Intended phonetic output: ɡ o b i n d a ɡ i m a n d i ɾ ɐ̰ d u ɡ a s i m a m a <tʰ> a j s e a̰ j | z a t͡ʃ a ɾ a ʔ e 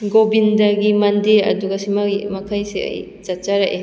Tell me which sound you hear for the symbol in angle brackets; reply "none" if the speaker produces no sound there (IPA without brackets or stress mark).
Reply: kʰ